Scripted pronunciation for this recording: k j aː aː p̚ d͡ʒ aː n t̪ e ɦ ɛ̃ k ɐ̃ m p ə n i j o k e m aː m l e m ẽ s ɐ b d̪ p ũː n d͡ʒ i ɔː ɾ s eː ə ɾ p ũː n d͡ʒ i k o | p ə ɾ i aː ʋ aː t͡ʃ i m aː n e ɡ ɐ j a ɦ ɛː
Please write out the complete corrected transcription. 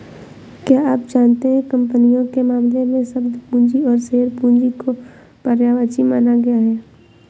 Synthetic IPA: k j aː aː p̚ d͡ʒ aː n t̪ e ɦ ɛ̃ k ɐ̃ m p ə n i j õ k e m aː m l e m ẽ s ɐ b d̪ p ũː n d͡ʒ i ɔː ɾ s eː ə ɾ p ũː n d͡ʒ i k o | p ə ɾ j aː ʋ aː t͡ʃ i m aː n a ɡ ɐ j a ɦ ɛː